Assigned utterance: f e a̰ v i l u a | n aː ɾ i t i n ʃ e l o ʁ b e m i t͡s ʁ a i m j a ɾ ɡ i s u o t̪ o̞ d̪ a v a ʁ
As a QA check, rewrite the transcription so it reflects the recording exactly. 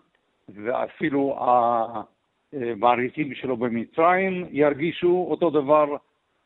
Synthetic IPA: v e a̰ f i l u a | m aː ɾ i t i m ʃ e l o b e m i t͡s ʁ a i m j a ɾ ɡ i ʃ u o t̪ o̞ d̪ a v a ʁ